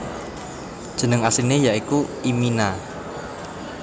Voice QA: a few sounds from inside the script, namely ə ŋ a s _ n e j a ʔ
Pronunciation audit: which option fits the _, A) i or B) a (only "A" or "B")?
A